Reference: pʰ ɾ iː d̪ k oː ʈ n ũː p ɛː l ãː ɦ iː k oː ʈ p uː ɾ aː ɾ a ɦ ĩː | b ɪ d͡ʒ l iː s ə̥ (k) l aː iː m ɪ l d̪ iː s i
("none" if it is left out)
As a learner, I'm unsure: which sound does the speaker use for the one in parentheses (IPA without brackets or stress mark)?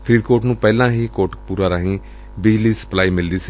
p